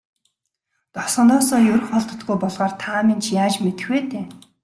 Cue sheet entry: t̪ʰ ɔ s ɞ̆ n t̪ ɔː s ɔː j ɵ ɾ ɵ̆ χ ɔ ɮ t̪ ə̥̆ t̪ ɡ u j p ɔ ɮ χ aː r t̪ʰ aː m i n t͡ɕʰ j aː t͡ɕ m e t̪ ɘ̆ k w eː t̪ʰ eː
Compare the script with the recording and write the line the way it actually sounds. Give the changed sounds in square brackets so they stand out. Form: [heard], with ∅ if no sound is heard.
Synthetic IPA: [t̪] ɔ s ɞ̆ n t̪ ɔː s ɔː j ɵ ɾ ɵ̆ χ ɔ ɮ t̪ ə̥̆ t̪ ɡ u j p ɔ ɮ [ʁ] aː r t̪ʰ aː m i n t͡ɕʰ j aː t͡ɕ m e t̪ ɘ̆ [x] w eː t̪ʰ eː